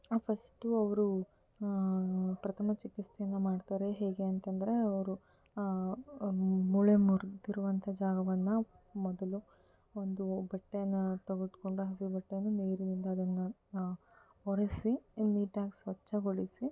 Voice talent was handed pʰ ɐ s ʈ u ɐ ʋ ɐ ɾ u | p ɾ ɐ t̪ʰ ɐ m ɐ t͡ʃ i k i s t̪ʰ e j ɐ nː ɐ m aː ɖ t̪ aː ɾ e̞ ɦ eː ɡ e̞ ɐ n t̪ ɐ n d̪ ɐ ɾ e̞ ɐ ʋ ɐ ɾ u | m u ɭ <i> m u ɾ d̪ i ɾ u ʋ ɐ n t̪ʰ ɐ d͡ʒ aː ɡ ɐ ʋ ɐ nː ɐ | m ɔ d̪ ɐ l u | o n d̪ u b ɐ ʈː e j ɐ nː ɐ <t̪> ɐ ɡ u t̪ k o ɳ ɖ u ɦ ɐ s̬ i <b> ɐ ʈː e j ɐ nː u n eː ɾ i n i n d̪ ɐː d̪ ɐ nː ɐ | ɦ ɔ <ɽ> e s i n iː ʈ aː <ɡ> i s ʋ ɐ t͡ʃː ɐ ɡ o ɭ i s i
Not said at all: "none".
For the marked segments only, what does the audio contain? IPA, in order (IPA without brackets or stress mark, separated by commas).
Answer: e, t̪, b, ɾ, ɡ